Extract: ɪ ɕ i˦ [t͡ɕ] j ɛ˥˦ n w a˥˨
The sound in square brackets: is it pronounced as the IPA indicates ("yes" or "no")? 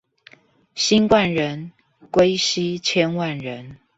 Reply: no